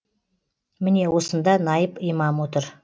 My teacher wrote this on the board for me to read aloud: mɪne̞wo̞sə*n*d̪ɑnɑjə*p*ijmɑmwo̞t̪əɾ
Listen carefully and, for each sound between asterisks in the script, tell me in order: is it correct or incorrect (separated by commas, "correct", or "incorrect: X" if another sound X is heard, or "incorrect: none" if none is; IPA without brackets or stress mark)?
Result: correct, correct